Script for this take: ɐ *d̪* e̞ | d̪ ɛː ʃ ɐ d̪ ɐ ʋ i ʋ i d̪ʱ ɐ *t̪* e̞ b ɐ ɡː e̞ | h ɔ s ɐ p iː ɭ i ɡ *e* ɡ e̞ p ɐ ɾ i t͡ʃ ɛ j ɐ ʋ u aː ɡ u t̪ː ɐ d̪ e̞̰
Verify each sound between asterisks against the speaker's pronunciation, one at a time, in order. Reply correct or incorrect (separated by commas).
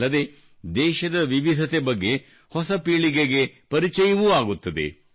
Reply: correct, correct, correct